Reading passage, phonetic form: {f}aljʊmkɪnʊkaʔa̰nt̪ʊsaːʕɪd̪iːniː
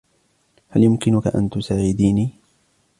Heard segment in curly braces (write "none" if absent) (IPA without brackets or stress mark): h